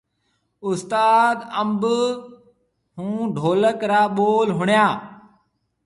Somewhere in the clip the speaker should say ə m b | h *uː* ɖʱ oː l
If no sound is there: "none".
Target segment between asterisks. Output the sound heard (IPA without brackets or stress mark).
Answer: ũː